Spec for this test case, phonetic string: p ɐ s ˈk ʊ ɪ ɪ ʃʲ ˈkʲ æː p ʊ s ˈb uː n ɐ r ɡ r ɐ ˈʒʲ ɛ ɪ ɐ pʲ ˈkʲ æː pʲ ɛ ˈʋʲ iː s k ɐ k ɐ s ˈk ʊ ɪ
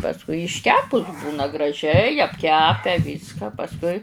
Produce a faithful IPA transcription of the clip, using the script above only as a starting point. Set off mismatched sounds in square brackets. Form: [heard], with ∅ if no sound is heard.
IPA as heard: p ɐ s ˈk ʊ ɪ ɪ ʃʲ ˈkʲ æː p ʊ s ˈb uː n ɐ [∅] ɡ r ɐ ˈʒʲ ɛ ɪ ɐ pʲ ˈkʲ æː pʲ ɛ ˈʋʲ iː s k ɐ [p] ɐ s ˈk ʊ ɪ

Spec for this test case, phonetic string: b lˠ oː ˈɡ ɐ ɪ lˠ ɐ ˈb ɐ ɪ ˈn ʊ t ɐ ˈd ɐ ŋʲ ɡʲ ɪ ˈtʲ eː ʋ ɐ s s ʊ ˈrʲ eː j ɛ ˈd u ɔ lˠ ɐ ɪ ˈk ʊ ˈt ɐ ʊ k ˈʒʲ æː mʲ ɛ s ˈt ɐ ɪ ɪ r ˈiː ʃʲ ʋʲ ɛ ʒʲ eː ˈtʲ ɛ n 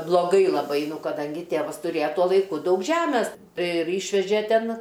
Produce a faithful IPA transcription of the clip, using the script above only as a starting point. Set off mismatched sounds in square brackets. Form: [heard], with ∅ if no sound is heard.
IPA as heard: b lˠ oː ˈɡ ɐ ɪ lˠ ɐ ˈb ɐ ɪ ˈn ʊ [k] ɐ ˈd ɐ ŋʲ ɡʲ ɪ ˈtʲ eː ʋ ɐ s [t] ʊ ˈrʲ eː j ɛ [ˈt] u ɔ lˠ ɐ ɪ ˈk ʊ [ˈd] ɐ ʊ k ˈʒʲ æː mʲ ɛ s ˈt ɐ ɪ ɪ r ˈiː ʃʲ ʋʲ ɛ ʒʲ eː ˈtʲ ɛ n

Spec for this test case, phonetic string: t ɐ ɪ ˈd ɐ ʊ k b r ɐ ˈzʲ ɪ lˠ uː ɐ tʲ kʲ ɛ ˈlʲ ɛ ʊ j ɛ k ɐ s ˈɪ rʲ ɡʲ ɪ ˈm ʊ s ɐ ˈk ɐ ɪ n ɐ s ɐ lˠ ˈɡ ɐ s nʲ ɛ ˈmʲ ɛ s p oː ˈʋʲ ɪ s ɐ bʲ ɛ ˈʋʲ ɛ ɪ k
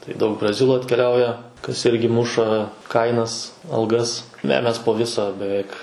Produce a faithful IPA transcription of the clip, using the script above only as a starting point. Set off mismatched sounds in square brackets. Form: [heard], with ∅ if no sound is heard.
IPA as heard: t ɐ ɪ ˈd ɐ ʊ k b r ɐ ˈzʲ ɪ lˠ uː ɐ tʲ kʲ ɛ ˈlʲ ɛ ʊ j ɛ k ɐ s ˈɪ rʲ ɡʲ ɪ ˈm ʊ [ʃ] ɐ ˈk ɐ ɪ n ɐ s ɐ lˠ ˈɡ ɐ s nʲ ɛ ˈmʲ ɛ s p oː ˈʋʲ ɪ s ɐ bʲ ɛ ˈʋʲ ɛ ɪ k

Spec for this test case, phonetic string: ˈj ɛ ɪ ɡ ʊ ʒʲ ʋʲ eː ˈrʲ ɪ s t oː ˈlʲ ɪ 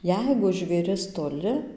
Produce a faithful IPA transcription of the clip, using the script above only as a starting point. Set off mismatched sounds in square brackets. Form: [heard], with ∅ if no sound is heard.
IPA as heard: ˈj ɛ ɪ ɡ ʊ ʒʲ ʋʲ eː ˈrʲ ɪ s t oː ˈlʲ ɪ

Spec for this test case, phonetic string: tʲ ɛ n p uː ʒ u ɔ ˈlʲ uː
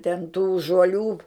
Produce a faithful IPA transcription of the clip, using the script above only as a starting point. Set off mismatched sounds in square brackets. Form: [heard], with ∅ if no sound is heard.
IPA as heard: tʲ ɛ n [t] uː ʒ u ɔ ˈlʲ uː

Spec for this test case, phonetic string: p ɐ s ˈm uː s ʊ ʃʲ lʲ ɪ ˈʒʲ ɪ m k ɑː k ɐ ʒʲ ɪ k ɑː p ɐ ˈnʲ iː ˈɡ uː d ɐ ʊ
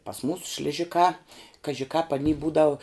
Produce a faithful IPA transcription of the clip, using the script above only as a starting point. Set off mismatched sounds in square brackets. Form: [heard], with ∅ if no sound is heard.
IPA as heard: p ɐ s ˈm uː s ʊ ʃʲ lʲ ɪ ˈʒʲ ɪ [∅] k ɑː k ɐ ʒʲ ɪ k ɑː p ɐ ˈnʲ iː [ˈb] uː d ɐ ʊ

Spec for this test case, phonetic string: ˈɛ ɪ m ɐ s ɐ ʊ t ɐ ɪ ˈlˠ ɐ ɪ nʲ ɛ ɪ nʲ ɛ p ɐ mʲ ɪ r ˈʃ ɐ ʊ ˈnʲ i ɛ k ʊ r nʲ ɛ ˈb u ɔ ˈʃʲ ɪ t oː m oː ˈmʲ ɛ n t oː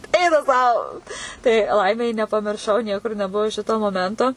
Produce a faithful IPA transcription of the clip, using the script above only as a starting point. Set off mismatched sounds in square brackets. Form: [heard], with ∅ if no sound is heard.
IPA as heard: ˈɛ ɪ [n] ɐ s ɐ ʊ t ɐ ɪ ˈlˠ ɐ ɪ [mʲ] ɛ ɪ nʲ ɛ p ɐ mʲ ɪ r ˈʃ ɐ ʊ ˈnʲ i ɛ k ʊ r nʲ ɛ ˈb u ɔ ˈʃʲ ɪ t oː m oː ˈmʲ ɛ n t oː

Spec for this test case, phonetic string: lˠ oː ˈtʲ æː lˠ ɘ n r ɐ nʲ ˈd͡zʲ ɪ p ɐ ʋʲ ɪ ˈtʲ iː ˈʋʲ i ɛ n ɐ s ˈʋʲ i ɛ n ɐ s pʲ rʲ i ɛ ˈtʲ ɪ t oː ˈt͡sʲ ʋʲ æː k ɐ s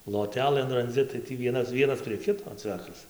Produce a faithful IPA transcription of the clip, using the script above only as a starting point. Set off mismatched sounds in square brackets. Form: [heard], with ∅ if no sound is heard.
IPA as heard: lˠ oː ˈtʲ æː lˠ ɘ n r ɐ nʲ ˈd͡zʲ ɪ [t] ɐ [∅] ɪ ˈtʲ iː ˈʋʲ i ɛ n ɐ s ˈʋʲ i ɛ n ɐ s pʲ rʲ i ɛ [ˈkʲ] ɪ t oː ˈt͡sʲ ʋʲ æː k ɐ s

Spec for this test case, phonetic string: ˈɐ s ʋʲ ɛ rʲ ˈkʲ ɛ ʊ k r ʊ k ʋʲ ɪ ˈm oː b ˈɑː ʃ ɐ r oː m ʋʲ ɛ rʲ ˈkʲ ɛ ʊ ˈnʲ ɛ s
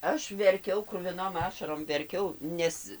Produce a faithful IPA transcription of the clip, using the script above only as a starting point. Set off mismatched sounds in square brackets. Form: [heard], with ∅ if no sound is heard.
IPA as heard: ˈɐ [ʃ] ʋʲ ɛ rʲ ˈkʲ ɛ ʊ k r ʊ [∅] ʋʲ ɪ [ˈn] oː [m] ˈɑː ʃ ɐ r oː m ʋʲ ɛ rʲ ˈkʲ ɛ ʊ ˈnʲ ɛ s

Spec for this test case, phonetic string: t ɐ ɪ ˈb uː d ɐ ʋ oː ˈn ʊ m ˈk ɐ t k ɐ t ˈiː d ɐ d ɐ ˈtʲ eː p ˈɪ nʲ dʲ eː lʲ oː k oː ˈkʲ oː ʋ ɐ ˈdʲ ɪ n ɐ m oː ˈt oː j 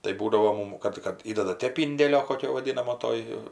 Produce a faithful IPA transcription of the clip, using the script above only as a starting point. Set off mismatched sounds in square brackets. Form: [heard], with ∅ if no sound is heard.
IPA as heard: t ɐ ɪ ˈb uː d ɐ ʋ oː [ˈm] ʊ m ˈk ɐ t k ɐ t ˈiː d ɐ d ɐ ˈtʲ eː p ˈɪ nʲ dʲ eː lʲ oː k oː ˈkʲ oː ʋ ɐ ˈdʲ ɪ n ɐ m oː ˈt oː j

